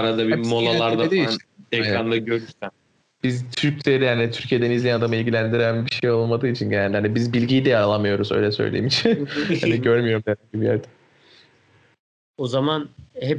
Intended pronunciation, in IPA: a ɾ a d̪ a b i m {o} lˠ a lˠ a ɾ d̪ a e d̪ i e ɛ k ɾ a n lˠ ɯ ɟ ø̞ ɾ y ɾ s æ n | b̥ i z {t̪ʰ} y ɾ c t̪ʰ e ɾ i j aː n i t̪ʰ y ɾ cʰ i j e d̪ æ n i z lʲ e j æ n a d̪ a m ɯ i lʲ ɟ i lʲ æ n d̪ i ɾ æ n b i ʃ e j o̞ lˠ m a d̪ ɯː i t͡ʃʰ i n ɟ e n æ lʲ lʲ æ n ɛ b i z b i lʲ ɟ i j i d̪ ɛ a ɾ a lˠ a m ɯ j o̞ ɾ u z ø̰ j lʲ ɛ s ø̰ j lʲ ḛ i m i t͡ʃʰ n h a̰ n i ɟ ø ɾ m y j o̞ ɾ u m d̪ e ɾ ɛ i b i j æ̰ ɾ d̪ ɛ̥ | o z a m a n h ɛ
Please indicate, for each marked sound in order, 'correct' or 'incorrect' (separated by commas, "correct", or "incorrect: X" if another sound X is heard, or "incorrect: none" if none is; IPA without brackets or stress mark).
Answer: correct, correct